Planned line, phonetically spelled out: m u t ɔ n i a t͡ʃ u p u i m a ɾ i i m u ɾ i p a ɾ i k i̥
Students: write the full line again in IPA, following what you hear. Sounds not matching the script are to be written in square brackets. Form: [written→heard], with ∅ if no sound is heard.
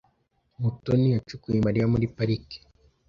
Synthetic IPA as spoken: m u t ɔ n i a t͡ʃ u [p→k] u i m a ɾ i [i→a] m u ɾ i p a ɾ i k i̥